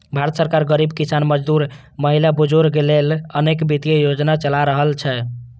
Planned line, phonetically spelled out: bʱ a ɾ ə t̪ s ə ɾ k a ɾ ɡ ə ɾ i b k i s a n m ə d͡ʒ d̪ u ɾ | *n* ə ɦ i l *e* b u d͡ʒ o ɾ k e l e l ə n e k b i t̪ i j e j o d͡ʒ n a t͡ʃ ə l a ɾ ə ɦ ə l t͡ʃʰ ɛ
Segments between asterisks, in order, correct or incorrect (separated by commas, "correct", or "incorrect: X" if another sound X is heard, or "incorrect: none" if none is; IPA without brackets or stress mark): incorrect: m, incorrect: a